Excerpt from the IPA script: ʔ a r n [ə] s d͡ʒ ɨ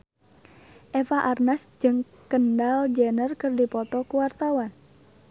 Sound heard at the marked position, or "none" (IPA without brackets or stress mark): a